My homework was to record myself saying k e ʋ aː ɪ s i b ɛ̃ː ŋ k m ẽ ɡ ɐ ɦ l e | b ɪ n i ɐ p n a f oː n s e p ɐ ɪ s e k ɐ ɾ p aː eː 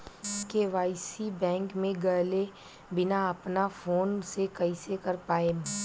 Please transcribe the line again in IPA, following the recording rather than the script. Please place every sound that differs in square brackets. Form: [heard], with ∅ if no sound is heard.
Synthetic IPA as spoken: k e ʋ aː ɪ s i b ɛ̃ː ŋ k m ẽ ɡ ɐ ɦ l e | b ɪ n [a] ɐ p n a f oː n s e [k] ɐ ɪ s e k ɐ ɾ p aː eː